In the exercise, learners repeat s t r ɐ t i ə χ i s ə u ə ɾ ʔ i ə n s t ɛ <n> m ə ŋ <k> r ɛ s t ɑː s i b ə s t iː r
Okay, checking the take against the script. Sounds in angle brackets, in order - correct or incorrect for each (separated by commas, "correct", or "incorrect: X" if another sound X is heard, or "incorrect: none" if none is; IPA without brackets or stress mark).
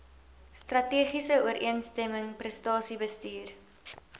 incorrect: none, incorrect: p